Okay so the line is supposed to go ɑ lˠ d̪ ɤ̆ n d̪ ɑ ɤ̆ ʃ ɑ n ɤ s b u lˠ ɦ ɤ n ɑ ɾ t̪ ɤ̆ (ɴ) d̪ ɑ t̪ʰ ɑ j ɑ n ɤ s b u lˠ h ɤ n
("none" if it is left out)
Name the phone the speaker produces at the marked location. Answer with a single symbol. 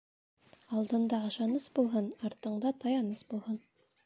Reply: ɴ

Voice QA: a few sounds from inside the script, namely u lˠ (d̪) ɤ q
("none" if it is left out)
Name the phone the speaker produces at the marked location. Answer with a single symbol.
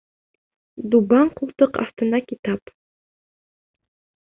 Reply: t̪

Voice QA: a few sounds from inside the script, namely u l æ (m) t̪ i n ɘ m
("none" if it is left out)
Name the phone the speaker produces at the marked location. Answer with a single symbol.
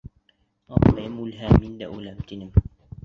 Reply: m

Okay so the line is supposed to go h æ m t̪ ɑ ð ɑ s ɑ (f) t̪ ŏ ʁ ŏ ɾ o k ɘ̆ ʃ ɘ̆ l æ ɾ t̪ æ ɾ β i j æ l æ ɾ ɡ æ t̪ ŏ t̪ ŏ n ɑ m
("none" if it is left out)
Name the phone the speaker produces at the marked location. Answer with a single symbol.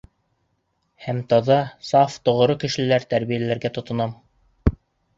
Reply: f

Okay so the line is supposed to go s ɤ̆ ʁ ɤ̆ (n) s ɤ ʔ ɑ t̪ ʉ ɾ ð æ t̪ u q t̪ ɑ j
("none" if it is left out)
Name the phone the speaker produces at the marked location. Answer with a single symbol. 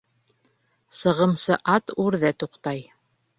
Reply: m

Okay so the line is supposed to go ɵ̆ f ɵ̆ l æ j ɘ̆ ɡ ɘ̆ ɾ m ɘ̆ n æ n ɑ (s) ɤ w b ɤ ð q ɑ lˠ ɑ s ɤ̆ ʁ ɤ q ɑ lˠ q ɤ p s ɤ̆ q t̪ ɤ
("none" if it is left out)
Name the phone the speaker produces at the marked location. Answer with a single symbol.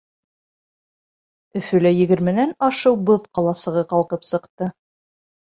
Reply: ʃ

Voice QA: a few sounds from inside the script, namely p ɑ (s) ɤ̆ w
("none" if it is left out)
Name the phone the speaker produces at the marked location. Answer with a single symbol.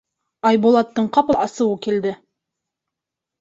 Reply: s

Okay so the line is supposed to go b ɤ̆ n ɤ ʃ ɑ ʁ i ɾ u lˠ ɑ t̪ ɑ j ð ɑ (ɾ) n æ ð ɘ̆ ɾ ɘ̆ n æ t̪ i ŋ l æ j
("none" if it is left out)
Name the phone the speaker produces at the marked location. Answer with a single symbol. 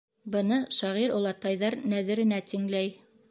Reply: ɾ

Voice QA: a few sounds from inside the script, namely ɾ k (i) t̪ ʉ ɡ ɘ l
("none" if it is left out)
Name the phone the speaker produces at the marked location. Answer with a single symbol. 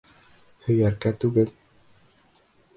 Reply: æ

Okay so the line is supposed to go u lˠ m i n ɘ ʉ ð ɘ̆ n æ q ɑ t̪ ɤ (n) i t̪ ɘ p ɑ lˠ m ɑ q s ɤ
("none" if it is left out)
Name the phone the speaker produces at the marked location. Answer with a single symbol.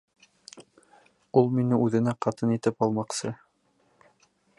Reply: n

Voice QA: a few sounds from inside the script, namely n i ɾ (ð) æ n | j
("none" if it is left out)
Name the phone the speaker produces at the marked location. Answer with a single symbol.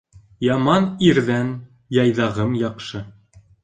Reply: ð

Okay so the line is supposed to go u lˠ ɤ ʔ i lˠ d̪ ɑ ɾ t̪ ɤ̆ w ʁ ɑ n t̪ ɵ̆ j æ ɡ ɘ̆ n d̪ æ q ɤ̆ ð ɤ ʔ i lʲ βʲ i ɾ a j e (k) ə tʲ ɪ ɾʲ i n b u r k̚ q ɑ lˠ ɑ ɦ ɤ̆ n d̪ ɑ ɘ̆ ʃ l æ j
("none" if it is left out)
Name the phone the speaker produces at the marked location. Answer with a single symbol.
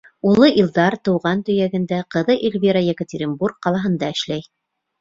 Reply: k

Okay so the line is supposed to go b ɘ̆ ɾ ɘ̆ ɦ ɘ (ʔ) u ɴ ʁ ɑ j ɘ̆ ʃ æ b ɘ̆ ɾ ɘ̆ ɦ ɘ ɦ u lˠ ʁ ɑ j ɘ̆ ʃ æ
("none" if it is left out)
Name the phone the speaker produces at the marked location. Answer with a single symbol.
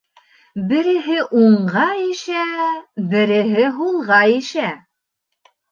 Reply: ʔ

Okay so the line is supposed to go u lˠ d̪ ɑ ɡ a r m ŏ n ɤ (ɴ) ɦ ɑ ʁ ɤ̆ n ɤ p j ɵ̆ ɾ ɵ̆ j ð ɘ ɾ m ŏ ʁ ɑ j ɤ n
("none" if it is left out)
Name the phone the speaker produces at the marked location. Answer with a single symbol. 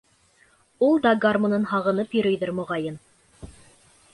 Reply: n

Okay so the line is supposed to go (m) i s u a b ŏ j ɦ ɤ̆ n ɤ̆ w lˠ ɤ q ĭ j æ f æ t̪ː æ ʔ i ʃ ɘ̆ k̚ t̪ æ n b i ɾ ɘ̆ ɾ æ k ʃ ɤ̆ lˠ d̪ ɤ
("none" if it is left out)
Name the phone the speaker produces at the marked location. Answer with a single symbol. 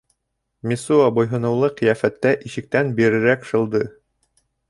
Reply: m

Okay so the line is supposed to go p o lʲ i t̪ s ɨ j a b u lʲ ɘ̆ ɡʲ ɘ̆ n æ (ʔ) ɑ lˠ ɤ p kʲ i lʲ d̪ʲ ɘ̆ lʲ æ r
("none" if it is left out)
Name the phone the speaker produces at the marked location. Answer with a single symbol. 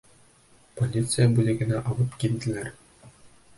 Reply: ʔ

